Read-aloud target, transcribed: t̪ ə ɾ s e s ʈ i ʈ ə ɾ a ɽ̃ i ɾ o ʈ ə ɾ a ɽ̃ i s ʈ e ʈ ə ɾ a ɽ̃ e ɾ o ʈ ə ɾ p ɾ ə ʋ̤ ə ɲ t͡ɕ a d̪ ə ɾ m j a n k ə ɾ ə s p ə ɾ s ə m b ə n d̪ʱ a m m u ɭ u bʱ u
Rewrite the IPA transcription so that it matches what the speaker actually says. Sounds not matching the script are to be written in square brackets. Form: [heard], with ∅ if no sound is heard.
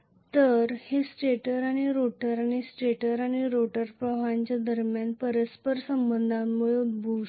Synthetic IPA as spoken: t̪ ə ɾ [h] e s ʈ [e] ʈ ə ɾ a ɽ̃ i ɾ o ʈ ə ɾ a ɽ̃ i s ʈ e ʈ ə ɾ a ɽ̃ [i] ɾ o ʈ ə ɾ p ɾ ə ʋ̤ [a] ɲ t͡ɕ a d̪ ə ɾ m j a n [p] ə ɾ ə s p ə ɾ s ə m b ə n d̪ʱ a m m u ɭ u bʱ u

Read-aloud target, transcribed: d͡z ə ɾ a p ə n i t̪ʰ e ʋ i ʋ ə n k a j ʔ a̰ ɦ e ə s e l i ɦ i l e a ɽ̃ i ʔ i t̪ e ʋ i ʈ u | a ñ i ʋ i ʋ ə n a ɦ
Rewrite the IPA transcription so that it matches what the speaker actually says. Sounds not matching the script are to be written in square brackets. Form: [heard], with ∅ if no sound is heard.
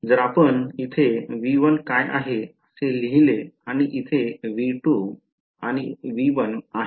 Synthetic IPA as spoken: d͡z ə ɾ a p ə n i t̪ʰ e ʋ i ʋ ə n k a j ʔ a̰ ɦ e ə s e l i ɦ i l e a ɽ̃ i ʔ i [t̪ʰ] e ʋ i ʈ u | a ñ i ʋ i ʋ ə n a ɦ

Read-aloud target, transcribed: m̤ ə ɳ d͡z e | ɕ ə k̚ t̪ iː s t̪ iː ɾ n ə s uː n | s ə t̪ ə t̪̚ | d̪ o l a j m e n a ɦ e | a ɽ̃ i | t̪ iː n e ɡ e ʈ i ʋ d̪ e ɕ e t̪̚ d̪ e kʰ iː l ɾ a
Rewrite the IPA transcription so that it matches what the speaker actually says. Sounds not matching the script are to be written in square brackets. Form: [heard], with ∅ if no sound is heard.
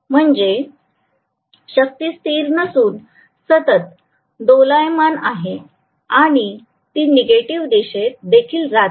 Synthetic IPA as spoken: m̤ ə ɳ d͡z e | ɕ ə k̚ t̪ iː s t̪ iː ɾ n ə s uː n | s ə t̪ ə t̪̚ | d̪ o l a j m [a] n a ɦ e | a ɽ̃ i | t̪ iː n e ɡ e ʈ i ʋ d̪ e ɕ e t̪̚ d̪ e kʰ iː l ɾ a

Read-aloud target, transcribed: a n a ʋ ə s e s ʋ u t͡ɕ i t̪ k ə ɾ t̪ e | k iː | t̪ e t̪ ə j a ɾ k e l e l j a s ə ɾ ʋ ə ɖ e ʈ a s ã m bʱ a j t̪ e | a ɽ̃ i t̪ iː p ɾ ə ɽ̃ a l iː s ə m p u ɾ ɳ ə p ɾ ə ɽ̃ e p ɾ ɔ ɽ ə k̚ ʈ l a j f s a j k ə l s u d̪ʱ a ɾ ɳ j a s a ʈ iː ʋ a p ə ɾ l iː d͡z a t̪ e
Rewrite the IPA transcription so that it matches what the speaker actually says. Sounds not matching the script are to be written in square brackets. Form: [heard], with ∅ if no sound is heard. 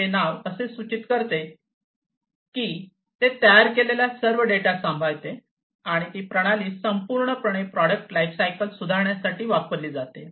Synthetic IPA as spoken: [e] n a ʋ ə s e s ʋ u t͡ɕ i t̪ k ə ɾ t̪ e | k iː | t̪ e t̪ ə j a ɾ k e l e l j a s ə ɾ ʋ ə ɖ e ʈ a s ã m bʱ a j t̪ e | a ɽ̃ i t̪ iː p ɾ ə ɽ̃ a l iː s ə m p u ɾ ɳ ə p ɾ ə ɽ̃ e p ɾ ɔ ɽ ə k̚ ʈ l a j f s a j k ə l s u d̪ʱ a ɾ ɳ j a s a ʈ iː ʋ a p ə ɾ l iː d͡z a t̪ e

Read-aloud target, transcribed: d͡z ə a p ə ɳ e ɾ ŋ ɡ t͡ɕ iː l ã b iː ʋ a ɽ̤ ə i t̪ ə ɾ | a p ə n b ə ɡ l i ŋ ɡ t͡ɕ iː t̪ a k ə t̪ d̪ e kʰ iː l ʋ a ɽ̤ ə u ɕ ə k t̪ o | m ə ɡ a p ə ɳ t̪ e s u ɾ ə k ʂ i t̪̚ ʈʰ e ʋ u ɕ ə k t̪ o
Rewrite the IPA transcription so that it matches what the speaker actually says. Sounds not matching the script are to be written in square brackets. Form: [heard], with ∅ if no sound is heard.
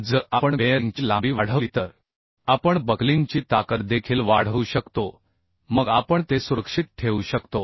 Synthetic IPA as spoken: d͡z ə a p ə ɳ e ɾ ŋ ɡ t͡ɕ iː l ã b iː ʋ a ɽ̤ ə i t̪ ə ɾ | a p ə [ɳ] b ə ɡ l i ŋ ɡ t͡ɕ iː t̪ a k ə t̪ d̪ e kʰ iː l ʋ a ɽ̤ ə u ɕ ə k t̪ o | m ə ɡ a p ə ɳ t̪ e s u ɾ ə k ʂ i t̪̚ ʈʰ e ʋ u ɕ ə k t̪ o

